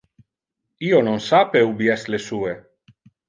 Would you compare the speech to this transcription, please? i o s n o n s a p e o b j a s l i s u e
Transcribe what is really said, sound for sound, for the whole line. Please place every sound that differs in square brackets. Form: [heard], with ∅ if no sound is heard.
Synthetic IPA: i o [∅] n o n s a p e [u] b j [ɛ] s l [e] s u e